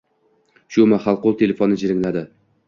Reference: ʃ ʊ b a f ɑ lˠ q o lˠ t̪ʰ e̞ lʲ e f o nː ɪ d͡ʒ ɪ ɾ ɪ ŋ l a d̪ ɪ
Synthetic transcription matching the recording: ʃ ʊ m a χ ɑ lˠ q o lˠ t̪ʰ e̞ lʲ e f o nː ɪ d͡ʒ ɪ ɾ ɪ ŋ l a d̪ ɪ

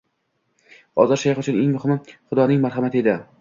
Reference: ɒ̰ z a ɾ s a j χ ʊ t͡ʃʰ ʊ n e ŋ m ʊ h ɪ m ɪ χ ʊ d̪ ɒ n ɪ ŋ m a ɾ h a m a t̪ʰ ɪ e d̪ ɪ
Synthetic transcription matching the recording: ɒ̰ z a ɾ ʃ a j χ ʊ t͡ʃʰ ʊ n e ŋ m ʊ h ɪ m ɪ χ ʊ d̪ ɒ n ɪ ŋ m a ɾ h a m a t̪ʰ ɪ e d̪ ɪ

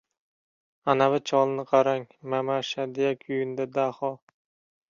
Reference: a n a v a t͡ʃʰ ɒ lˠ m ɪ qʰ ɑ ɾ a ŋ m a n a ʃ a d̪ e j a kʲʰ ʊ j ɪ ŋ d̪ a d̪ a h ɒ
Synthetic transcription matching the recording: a n a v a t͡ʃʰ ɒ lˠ n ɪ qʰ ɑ ɾ a ŋ m a m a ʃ a d̪ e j a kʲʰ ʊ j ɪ n d̪ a d̪ a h ɒ

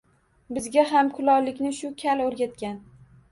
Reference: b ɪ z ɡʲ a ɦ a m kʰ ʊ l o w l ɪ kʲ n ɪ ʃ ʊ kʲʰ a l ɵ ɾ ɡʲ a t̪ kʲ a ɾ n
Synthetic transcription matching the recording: b ɪ z ɡʲ a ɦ a m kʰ ʊ l ɒ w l ɪ kʲ n ɪ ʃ ʊ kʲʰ a l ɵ ɾ ɡʲ a t̪ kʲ a n

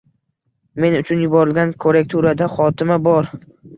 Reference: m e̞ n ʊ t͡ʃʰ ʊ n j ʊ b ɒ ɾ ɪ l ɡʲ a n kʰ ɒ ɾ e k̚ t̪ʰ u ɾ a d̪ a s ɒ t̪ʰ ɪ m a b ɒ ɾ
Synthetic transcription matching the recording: m e̞ n ʊ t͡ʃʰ ʊ n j ʊ b ɒ ɾ ɪ l ɡʲ a n kʰ o ɾ e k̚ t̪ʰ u ɾ a d̪ a χ ɒ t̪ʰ ɪ m a b ɒ ɾ

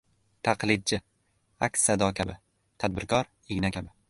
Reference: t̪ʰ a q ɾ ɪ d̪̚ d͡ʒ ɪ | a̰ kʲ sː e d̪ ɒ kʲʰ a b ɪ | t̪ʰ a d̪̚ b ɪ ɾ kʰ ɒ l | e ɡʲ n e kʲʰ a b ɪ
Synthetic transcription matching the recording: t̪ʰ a q l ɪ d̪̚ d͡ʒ ɪ | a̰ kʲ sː a d̪ ɒ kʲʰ a b ɪ | t̪ʰ a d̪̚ b ɪ ɾ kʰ ɒ ɾ | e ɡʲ n a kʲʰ a b ɪ

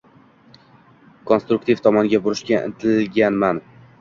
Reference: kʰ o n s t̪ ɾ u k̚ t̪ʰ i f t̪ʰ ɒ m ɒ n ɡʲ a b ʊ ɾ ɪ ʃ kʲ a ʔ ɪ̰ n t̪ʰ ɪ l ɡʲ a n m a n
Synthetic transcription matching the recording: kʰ o n s t̪ ɾ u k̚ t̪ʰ i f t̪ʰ ɒ m ɒ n ɡʲ a b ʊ ɾ ɪ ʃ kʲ a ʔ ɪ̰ n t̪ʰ ɪ l ɡʲ a n m a n

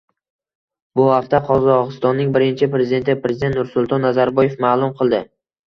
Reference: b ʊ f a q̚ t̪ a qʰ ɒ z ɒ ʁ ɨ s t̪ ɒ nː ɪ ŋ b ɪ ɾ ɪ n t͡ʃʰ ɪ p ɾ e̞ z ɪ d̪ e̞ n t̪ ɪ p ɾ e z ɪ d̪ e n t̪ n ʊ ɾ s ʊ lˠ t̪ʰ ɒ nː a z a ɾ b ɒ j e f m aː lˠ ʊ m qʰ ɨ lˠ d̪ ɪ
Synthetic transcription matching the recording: b ʊ h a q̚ t̪ a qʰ ɒ z ɒ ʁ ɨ s t̪ ɒ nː ɪ ŋ b ɪ ɾ ɪ n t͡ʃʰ ɪ p ɾ e̞ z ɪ d̪ e̞ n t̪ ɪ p ɾ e z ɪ d̪ e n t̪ n ʊ ɾ s ʊ lˠ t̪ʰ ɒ nː a z a ɾ b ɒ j e f m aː lˠ ʊ m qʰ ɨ lˠ d̪ ɪ

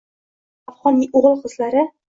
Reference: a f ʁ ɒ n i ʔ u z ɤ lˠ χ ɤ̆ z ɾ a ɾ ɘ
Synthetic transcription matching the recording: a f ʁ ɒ n i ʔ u ʁ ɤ lˠ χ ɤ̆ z l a ɾ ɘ

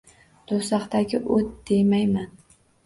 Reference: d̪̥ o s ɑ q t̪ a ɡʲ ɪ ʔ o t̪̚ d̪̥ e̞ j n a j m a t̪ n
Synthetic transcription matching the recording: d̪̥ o s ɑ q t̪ a ɡʲ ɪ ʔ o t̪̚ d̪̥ e̞ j m a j m a n

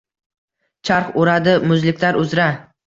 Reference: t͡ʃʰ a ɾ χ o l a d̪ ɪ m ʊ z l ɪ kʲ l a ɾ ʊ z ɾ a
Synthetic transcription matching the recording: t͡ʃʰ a ɾ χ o ɾ a d̪ ɪ m ʊ z l ɪ kʲ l a ɾ ʊ z ɾ a

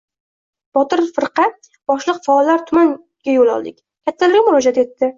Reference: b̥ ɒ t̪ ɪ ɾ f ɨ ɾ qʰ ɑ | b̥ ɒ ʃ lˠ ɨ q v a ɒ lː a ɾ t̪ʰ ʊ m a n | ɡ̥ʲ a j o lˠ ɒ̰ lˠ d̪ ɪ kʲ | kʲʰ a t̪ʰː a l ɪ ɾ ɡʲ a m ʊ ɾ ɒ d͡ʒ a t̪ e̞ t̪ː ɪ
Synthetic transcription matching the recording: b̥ ɒ t̪ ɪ ɾ f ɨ ɾ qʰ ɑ | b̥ ɒ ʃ lˠ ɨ q f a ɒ lː a ɾ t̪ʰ ʊ m a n | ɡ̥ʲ a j o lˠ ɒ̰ lˠ d̪ ɪ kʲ | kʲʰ a t̪ʰː a l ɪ ɾ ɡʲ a m ʊ ɾ ɒ d͡ʒ a t̪ e̞ t̪ː ɪ

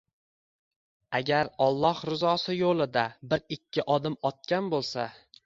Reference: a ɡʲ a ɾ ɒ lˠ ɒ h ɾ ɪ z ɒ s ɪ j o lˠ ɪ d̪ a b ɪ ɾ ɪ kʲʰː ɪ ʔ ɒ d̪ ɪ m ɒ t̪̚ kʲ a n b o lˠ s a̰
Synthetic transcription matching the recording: a ɡʲ a ɾ ɒ lˠː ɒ h ɾ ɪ z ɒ s ɪ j o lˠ ɪ d̪ a b ɪ ɾ ɪ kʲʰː ɪ ʔ ɒ d̪ ɪ m ɒ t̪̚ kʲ a n b o lˠ s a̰

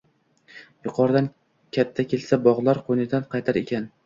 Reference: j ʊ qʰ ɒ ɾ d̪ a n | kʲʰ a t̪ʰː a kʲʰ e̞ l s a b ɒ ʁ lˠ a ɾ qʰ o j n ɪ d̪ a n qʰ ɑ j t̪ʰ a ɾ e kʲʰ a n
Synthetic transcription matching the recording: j ʊ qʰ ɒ ɾ d̪ a n | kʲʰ a t̪ʰː a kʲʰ e̞ l s a b ɒ ʁ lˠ a ɾ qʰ o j n ɪ d̪ a n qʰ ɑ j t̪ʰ a ɾ e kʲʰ a n

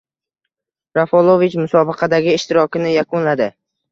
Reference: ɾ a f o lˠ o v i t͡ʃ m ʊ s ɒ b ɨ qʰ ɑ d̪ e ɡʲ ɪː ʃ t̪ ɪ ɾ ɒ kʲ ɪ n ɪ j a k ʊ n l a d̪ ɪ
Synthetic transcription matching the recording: ɾ a f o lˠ o v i t͡ʃ m ʊ s ɒ b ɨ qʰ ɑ d̪ a ɡʲ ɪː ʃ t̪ ɪ ɾ ɒ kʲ ɪ n ɪ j a k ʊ n l a d̪ ɪ

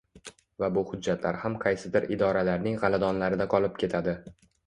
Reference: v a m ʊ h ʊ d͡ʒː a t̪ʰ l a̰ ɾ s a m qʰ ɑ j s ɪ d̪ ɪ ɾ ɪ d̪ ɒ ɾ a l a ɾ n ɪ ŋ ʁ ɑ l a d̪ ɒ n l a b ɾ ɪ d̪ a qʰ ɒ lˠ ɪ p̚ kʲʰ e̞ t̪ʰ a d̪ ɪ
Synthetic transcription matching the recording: v a b ʊ h ʊ d͡ʒː a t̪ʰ l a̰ ɾ h a m qʰ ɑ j s ɪ d̪ ɪ ɾ ɪ d̪ ɒ ɾ a l a ɾ n ɪ ŋ ʁ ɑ l a d̪ ɒ n l a ɾ ɪ d̪ a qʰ ɒ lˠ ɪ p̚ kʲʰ e̞ t̪ʰ a d̪ ɪ

